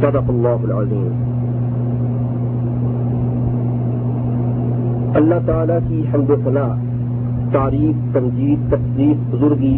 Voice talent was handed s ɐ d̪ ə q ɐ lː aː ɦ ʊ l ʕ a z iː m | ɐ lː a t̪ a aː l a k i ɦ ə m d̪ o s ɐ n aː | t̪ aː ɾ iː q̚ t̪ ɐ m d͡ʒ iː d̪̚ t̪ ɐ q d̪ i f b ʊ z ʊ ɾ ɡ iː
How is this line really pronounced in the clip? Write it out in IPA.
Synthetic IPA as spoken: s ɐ d̪ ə q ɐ lː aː ɦ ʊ l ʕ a z iː m | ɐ lː a t̪ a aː l a k i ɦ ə m d̪ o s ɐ n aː | t̪ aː ɾ iː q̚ t̪ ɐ m d͡ʒ iː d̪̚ t̪ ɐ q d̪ iː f b ʊ z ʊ ɾ ɡ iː